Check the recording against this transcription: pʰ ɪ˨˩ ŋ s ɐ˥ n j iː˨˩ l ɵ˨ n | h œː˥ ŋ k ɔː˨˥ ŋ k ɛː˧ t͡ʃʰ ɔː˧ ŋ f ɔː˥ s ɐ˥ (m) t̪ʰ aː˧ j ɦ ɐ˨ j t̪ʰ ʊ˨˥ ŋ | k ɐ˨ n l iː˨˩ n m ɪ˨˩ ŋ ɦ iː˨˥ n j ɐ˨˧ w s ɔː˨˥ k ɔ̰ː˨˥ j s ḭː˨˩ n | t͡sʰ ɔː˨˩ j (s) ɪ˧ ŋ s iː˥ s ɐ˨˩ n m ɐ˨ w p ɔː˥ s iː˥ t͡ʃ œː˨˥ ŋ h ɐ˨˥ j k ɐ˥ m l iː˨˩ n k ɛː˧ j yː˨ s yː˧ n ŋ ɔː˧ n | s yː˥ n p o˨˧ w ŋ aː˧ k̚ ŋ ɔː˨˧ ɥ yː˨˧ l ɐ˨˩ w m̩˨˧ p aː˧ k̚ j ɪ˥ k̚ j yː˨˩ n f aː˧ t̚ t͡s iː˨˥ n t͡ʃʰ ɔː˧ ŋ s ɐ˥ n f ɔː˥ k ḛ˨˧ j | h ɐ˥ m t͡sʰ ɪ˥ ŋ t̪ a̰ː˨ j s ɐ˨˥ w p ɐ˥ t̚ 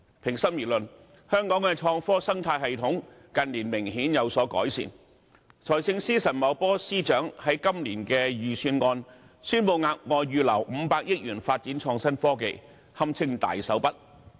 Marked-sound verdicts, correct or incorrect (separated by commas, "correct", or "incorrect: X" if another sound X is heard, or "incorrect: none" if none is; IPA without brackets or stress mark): incorrect: ŋ, correct